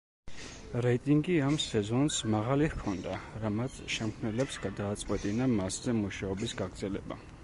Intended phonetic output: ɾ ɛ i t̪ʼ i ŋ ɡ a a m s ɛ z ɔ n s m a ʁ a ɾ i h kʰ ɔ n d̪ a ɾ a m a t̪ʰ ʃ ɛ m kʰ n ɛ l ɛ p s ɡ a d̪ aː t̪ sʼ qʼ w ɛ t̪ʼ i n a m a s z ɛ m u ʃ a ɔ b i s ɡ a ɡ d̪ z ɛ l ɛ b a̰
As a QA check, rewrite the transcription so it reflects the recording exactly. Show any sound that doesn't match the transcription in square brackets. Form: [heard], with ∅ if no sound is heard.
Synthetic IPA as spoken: ɾ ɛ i t̪ʼ i ŋ ɡ [i] a m s ɛ z ɔ n s m a ʁ a [l] i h kʰ ɔ n d̪ a ɾ a m a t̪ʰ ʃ ɛ m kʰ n ɛ l ɛ p s ɡ a d̪ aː t̪ sʼ qʼ w ɛ t̪ʼ i n a m a s z ɛ m u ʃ a ɔ b i s ɡ a ɡ d̪ z ɛ l ɛ b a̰